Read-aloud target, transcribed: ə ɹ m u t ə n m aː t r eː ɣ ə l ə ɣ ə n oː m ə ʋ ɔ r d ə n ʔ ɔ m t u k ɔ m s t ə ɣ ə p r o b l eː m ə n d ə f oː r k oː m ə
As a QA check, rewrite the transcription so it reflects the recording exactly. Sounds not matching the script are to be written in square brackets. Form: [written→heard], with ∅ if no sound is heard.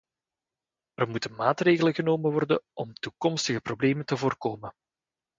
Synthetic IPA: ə [ɹ→r] m u t ə n m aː t r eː ɣ ə l ə ɣ ə n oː m ə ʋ ɔ r d ə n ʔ ɔ m t u k ɔ m s t ə ɣ ə p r o b l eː m ə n [d→t] ə [f→v] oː r k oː m ə

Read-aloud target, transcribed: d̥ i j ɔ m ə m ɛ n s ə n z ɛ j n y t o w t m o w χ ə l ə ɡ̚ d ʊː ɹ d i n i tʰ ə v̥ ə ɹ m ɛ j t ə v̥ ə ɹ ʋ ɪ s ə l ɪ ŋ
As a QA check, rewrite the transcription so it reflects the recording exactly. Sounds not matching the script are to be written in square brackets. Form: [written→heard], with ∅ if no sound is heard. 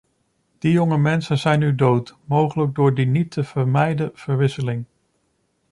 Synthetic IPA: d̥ i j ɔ [m→ŋ] ə m ɛ n s ə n z ɛ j n y [t→d] o w t m o w χ ə l ə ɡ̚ d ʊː ɹ d i n i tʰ ə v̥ ə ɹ m ɛ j [t→d] ə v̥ ə ɹ ʋ ɪ s ə l ɪ ŋ

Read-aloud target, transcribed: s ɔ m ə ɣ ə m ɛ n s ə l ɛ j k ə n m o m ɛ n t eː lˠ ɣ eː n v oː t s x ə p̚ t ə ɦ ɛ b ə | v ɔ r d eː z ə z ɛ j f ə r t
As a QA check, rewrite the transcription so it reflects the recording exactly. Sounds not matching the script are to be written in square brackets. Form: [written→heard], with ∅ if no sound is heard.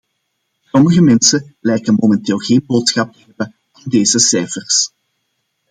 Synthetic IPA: s ɔ m ə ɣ ə m ɛ n s ə l ɛ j k ə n m o m ɛ n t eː lˠ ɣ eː n [v→b] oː t s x [ə→ɑ] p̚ t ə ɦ ɛ b ə | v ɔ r d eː z ə [z→s] ɛ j f ə r [t→s]

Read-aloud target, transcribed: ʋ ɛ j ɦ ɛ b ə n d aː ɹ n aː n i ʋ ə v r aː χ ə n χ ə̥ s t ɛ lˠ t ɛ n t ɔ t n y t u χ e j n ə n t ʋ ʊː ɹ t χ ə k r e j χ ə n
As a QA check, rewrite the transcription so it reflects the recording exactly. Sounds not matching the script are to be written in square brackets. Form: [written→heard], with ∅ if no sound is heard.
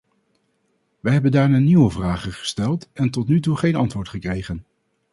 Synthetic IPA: ʋ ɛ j ɦ ɛ b ə n d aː ɹ n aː n i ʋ ə v r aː χ ə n χ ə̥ s t ɛ lˠ t ɛ n t ɔ t n y t u χ e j n [ə→ɑ] n t ʋ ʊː ɹ t χ ə k r e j χ ə n

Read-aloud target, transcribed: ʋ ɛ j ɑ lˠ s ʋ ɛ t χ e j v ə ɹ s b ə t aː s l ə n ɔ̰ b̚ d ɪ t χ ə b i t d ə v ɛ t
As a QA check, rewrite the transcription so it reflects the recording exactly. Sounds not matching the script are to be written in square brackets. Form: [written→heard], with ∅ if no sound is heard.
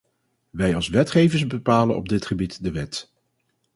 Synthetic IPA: ʋ ɛ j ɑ lˠ s ʋ ɛ t χ e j v ə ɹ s b ə [t→p] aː [s→∅] l ə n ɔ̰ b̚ d ɪ t χ ə b i t d ə [v→ʋ] ɛ t

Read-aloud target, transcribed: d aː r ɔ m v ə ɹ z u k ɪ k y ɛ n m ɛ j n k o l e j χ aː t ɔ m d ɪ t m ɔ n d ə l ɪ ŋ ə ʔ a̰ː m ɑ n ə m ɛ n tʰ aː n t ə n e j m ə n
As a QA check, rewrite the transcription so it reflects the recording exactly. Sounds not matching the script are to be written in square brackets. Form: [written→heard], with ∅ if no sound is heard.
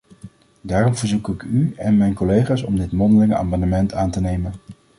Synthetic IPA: d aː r ɔ m v ə ɹ z u k ɪ k y ɛ n m ɛ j n k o l e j χ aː [t→s] ɔ m d ɪ t m ɔ n d ə l ɪ ŋ ə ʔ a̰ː m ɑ n ə m ɛ n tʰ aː n t ə n e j m ə n

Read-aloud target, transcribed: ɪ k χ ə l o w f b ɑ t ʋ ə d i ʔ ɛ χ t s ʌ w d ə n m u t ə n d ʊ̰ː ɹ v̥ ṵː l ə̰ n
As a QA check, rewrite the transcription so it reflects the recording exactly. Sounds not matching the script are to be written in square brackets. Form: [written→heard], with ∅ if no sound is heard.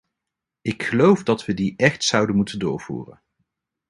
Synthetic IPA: ɪ k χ ə l o w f [b→d] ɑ t ʋ ə d i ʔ ɛ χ t s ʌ w d ə n m u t ə n d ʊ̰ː ɹ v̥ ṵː [l→r] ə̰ n

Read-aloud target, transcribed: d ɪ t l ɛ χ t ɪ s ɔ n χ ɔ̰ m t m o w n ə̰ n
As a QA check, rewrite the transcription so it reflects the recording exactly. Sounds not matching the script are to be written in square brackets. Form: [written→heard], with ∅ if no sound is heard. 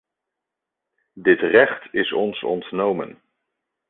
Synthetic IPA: d ɪ t [l→r] ɛ χ t ɪ s ɔ n [χ→s] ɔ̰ [m→n] t [m→n] o w [n→m] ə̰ n

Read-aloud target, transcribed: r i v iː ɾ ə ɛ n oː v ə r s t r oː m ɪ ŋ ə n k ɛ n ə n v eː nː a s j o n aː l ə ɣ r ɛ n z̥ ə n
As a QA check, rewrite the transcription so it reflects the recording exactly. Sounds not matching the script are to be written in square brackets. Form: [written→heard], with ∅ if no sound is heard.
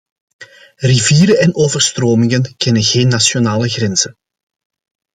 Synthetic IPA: r i v iː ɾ ə ɛ n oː v ə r s t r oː m ɪ ŋ ə n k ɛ n ə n [v→ɣ] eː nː a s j o n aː l ə ɣ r ɛ n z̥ ə n

